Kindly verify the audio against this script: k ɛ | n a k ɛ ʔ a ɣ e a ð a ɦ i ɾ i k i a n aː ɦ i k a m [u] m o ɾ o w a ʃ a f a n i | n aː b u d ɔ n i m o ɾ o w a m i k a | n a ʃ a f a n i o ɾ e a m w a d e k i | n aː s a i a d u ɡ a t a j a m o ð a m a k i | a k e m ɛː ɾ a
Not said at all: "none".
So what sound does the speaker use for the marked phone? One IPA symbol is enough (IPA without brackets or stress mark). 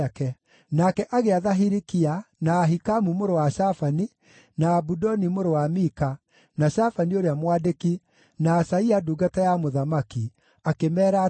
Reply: u